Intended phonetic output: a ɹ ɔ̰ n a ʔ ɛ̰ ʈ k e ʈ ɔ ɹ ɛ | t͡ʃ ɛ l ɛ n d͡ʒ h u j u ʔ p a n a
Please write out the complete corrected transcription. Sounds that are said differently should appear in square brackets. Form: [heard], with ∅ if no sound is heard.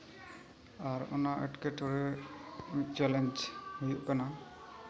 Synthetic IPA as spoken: a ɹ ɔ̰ n a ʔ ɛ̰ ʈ k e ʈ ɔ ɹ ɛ | t͡ʃ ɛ l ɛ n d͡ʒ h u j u ʔ [k] a n a